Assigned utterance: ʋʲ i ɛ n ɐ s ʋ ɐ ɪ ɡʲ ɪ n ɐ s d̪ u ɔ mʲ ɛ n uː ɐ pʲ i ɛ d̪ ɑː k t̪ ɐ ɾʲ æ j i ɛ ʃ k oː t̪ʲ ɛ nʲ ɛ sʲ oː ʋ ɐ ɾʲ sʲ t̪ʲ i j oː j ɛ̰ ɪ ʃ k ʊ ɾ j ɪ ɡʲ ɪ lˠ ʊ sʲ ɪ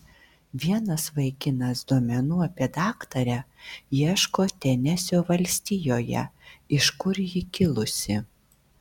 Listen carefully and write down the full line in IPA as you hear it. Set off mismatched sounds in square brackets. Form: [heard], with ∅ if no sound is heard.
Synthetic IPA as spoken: ʋʲ i ɛ n ɐ s ʋ ɐ ɪ [kʲ] ɪ n ɐ s d̪ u ɔ mʲ ɛ n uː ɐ pʲ i ɛ d̪ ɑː k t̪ ɐ ɾʲ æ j i ɛ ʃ k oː t̪ʲ ɛ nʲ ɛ sʲ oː ʋ ɐ [lʲ] sʲ t̪ʲ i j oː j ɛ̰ ɪ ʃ k ʊ ɾ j ɪ [kʲ] ɪ lˠ ʊ sʲ ɪ